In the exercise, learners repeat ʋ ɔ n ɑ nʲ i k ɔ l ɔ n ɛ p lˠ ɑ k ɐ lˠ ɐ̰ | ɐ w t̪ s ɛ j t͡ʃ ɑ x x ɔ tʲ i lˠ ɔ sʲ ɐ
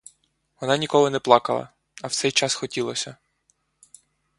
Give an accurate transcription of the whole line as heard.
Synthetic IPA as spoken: ʋ ɔ n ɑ nʲ i k ɔ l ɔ n ɛ p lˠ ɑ k ɐ lˠ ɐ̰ | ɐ w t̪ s ɛ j t͡ʃ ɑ s x ɔ tʲ i lˠ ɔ sʲ ɐ